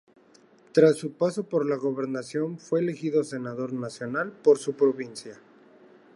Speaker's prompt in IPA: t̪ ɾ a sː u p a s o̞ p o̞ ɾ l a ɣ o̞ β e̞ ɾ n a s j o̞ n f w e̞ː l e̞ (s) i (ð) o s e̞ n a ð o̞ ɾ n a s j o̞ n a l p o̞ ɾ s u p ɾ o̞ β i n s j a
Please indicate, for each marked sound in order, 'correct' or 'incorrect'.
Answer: incorrect, correct

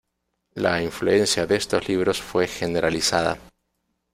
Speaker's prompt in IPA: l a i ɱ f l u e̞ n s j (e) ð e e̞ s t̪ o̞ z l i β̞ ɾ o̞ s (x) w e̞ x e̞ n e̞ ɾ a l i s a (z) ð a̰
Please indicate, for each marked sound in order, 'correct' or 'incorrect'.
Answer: incorrect, incorrect, incorrect

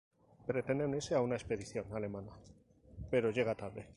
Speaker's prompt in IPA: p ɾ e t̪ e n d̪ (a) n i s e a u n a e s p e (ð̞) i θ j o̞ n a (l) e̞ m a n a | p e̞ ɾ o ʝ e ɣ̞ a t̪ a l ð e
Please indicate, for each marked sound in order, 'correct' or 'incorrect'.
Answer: incorrect, correct, correct

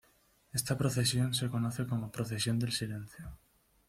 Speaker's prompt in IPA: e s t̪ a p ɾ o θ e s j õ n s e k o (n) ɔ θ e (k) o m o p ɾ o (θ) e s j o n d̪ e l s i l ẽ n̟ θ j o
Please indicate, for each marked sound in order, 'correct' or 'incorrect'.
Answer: correct, correct, correct

